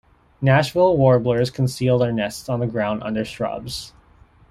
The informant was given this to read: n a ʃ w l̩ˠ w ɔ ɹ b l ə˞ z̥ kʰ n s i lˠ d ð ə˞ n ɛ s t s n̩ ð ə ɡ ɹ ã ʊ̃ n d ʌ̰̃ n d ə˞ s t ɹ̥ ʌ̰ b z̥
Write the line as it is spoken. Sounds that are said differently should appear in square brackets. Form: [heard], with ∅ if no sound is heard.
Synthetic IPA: n [æ] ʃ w l̩ˠ w ɔ ɹ b l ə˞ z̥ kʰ n s i lˠ d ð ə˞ n ɛ s t s n̩ ð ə ɡ ɹ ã ʊ̃ n d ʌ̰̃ n d ə˞ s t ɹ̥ ʌ̰ b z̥